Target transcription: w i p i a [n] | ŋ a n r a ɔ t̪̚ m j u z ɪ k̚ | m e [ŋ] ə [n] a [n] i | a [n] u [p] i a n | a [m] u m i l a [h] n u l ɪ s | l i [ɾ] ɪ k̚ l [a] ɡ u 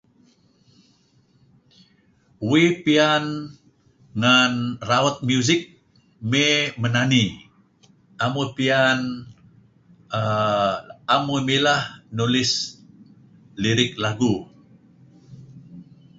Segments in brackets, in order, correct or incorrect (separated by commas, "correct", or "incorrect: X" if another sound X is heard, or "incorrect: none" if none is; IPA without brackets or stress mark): correct, incorrect: m, correct, correct, incorrect: m, correct, correct, correct, correct, correct